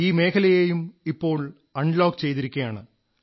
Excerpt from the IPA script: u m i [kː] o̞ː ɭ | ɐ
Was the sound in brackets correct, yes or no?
no